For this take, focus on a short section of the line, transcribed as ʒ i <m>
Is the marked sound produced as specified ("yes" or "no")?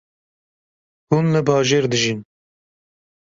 no